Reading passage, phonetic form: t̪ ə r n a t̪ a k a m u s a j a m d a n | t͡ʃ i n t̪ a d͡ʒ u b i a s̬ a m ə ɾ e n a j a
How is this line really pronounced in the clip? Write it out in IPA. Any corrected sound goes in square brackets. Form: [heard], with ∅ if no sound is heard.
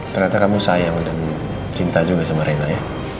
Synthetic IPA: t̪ ə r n a t̪ a k a m u s a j a [ŋ] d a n | t͡ʃ i n t̪ a d͡ʒ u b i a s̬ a m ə ɾ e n a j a

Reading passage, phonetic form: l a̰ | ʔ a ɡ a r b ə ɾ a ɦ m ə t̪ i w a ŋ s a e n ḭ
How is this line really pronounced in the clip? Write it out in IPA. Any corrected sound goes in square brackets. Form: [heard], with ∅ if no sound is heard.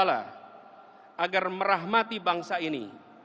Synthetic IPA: l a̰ | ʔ a ɡ a r [m] ə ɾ a ɦ m [a] t̪ i [b] a ŋ s a [i] n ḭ

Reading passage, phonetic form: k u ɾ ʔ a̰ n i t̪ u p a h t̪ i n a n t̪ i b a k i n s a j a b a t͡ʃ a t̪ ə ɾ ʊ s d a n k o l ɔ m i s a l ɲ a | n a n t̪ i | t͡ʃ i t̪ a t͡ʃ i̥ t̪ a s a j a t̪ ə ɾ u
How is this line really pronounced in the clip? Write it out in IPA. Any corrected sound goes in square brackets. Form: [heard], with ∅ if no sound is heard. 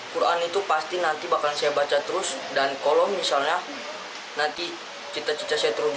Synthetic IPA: k u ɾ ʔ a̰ n i t̪ u p a [s] t̪ i n a n t̪ i b a k [a] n s a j a b a t͡ʃ a t̪ ə ɾ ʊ s d a n k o l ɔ m i s a l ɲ a | n a n t̪ i | t͡ʃ i t̪ a t͡ʃ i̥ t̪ a s a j a t̪ ə ɾ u

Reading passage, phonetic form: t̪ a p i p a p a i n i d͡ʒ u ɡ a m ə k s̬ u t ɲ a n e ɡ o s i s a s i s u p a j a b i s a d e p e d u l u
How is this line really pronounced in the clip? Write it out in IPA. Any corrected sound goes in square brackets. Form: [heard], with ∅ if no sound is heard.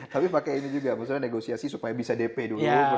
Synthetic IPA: t̪ a p i p a [k] a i n i d͡ʒ u ɡ a m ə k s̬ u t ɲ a n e ɡ o s i [∅] a s i s u p a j a b i s a d e p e d u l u

